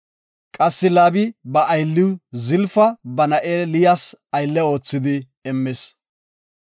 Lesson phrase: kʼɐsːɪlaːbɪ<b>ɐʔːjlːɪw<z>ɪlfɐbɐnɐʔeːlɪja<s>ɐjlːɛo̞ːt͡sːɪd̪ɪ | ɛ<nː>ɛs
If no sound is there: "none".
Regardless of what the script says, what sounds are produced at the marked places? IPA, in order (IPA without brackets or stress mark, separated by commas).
b, z, s, mː